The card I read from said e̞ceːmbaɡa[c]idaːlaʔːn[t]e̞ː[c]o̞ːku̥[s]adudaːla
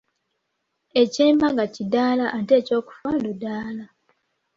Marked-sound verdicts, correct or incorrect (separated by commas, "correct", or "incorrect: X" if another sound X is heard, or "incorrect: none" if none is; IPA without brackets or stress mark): correct, correct, correct, incorrect: f